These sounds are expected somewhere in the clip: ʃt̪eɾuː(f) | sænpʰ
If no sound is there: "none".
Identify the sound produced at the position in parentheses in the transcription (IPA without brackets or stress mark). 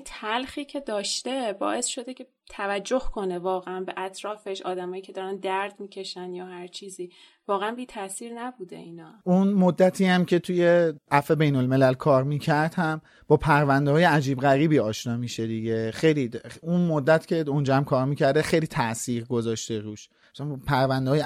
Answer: ʃ